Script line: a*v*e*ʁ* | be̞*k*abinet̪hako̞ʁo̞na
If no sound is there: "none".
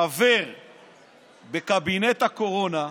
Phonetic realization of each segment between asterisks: v, ʁ, k

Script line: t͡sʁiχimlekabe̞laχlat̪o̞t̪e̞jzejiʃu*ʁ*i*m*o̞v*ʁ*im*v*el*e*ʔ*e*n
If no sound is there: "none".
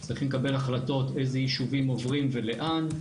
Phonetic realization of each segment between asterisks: v, m, ʁ, v, e, a

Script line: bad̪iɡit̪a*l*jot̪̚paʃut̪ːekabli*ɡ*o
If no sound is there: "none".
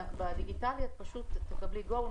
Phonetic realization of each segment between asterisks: l, ɡ

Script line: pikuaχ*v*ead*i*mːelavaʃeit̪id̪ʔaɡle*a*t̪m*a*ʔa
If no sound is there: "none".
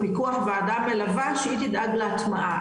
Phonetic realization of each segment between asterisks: v, a, a, a

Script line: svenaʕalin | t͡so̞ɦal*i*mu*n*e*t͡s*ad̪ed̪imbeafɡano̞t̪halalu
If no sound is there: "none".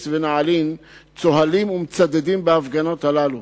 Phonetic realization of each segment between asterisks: i, m, t͡s

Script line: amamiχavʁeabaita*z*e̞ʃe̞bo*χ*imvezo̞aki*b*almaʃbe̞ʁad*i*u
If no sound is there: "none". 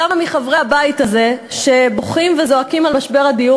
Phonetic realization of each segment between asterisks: z, χ, m, i

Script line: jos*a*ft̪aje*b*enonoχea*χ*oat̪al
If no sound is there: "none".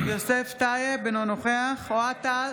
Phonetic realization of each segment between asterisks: e, b, χ

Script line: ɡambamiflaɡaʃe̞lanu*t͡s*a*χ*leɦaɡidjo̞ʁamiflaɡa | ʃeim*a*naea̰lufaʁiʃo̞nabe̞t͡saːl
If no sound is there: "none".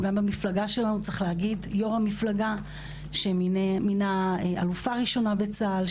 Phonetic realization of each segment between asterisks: t͡s, χ, i

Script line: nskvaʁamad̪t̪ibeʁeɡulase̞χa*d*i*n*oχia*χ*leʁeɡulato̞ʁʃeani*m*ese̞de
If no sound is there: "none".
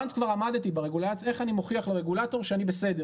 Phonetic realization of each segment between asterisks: n, m, χ, b

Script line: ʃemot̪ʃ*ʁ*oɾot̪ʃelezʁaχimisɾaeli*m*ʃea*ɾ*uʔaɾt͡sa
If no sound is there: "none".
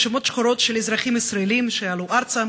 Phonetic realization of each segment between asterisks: χ, m, l

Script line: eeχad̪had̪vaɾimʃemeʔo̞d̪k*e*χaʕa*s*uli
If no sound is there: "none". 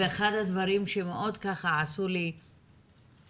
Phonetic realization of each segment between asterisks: a, s

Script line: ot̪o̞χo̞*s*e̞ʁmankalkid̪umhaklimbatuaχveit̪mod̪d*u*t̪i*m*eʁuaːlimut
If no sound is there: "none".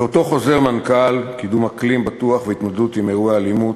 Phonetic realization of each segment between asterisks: z, u, m

